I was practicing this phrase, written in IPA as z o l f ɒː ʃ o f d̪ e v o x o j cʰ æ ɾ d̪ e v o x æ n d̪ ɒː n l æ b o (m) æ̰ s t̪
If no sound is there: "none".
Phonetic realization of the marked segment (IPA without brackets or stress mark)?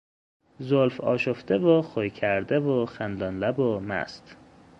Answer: m